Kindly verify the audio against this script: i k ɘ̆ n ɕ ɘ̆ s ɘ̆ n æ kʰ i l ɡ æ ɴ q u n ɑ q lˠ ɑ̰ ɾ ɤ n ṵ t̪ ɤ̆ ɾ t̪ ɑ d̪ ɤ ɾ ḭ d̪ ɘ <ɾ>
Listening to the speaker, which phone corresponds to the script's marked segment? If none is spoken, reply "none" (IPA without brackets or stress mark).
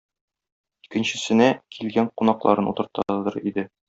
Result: none